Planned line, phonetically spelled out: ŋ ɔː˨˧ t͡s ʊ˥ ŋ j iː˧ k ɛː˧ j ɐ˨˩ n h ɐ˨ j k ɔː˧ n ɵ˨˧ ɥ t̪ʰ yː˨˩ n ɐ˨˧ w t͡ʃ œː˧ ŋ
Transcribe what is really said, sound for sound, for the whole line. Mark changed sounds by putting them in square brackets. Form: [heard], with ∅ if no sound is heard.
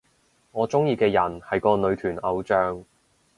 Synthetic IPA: ŋ ɔː˨˧ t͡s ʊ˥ ŋ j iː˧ k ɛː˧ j ɐ˨˩ n h ɐ˨ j k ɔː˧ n ɵ˨˧ ɥ t̪ʰ yː˨˩ n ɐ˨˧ w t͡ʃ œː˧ ŋ